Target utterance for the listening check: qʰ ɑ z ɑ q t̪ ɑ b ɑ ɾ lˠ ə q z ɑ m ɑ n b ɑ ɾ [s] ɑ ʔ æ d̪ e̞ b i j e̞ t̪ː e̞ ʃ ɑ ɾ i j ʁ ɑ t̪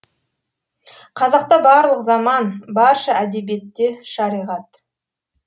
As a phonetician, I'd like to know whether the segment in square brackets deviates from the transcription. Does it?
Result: yes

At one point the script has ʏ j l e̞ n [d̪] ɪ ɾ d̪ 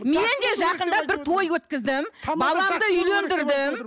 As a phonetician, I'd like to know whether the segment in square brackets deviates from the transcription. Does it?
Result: no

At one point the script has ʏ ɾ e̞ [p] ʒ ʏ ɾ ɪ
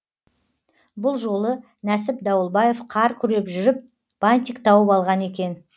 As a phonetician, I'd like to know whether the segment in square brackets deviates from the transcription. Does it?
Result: no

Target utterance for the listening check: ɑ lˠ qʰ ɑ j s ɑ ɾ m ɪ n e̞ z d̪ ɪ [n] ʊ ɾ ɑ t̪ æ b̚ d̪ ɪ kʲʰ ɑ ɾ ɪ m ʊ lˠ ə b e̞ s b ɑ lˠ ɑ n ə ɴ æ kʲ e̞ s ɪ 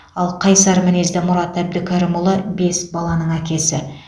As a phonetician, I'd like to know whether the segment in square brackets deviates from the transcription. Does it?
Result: yes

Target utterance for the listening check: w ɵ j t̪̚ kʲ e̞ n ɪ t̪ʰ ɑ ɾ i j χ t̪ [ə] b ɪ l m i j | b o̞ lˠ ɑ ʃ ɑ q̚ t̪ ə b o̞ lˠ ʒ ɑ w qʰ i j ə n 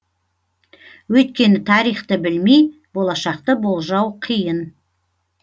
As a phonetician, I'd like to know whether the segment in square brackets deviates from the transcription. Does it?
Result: no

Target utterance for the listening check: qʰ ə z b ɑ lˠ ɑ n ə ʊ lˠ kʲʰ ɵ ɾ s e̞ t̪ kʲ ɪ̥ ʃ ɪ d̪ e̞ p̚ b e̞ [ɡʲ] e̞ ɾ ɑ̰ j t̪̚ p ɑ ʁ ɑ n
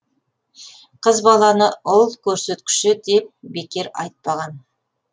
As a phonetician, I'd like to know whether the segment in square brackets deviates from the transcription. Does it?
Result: yes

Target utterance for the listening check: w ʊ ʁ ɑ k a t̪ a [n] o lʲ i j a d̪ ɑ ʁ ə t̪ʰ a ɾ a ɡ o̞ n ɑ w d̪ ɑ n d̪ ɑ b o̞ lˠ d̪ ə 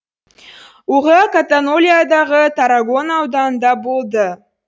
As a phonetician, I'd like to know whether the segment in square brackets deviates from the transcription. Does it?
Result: no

